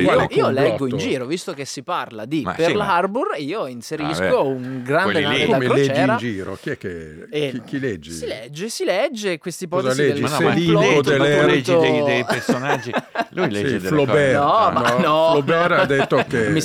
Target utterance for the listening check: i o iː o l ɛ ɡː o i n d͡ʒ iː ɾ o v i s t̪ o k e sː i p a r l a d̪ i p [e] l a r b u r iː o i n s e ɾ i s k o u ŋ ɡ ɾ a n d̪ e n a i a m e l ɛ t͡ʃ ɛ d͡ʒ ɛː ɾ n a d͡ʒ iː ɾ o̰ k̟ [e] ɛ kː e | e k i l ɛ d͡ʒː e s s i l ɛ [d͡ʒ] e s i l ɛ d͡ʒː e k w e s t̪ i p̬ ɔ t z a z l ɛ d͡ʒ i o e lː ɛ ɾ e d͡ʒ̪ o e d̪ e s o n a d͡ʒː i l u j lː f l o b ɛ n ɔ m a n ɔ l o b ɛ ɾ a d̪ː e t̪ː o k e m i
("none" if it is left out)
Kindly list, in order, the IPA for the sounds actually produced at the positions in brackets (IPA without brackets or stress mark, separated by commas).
e, i, d͡ʒː